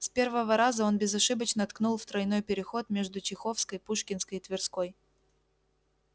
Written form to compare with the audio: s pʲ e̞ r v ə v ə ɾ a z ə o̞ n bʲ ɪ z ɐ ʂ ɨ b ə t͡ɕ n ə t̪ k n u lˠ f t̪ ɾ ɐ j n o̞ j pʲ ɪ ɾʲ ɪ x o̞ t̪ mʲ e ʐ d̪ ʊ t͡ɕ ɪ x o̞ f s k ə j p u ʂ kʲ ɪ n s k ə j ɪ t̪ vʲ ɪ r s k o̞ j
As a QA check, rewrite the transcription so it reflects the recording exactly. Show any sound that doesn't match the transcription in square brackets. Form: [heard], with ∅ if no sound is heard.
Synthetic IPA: s pʲ e̞ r v ə v ə ɾ a z ə o̞ n bʲ ɪ z ɐ ʂ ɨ b ə t͡ɕ n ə t̪ k n u lˠ f t̪ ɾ ɐ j n o̞ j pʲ ɪ ɾʲ ɪ x o̞ t̪ mʲ e ʐ d̪ ʊ t͡ɕ ɪ x o̞ f s k ə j p u ʂ kʲ ɪ n s k ə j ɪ t̪ vʲ ɪ r s k o̞ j